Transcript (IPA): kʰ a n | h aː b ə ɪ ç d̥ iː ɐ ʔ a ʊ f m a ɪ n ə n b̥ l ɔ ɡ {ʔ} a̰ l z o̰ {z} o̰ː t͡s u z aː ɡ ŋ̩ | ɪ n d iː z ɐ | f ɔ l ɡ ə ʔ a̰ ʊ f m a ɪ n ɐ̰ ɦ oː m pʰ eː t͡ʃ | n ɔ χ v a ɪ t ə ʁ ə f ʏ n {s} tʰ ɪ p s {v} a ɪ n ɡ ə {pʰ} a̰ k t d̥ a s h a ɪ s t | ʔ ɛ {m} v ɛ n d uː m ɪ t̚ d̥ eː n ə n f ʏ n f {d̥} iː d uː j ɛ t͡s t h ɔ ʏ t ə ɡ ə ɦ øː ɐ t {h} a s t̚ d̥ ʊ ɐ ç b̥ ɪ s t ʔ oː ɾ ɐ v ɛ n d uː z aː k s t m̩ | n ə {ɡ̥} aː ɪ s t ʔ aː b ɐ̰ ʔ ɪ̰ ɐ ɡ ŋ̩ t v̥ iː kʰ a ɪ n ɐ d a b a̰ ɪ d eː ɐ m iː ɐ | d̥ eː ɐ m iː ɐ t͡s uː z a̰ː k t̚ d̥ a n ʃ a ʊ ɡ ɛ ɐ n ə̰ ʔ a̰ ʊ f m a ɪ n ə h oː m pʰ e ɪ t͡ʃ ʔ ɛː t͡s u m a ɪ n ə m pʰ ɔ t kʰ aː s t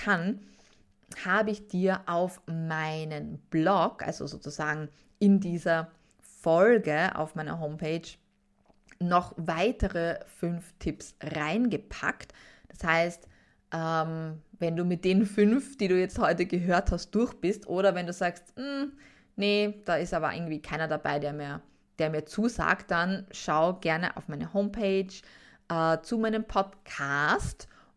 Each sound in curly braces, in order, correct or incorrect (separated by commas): correct, correct, incorrect, incorrect, correct, correct, correct, correct, incorrect